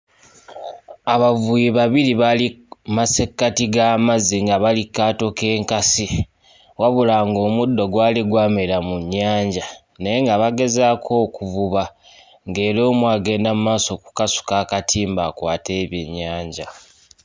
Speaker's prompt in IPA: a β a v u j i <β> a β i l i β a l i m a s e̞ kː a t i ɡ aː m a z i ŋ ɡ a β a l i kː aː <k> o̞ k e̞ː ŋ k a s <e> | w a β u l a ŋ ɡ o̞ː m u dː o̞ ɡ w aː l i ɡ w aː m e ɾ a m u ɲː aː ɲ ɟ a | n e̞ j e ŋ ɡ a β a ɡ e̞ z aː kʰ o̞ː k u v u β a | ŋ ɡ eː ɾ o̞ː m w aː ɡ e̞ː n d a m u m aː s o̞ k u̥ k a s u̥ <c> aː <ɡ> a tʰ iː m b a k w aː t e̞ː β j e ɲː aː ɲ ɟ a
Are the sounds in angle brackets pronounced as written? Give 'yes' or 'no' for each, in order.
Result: yes, no, no, no, no

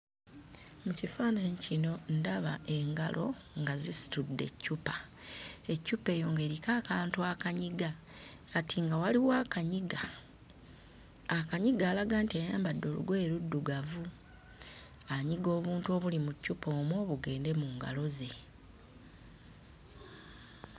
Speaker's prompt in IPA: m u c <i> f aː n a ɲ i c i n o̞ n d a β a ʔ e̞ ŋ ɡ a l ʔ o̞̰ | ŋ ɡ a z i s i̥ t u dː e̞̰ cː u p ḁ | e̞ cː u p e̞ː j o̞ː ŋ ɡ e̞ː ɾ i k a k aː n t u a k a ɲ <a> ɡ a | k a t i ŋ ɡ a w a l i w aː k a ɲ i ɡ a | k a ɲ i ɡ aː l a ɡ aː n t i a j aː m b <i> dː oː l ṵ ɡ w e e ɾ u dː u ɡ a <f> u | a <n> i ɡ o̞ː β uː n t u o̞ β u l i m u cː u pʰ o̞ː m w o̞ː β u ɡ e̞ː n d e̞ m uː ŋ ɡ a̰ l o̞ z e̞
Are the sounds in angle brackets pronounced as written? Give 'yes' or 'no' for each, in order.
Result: yes, no, no, no, no

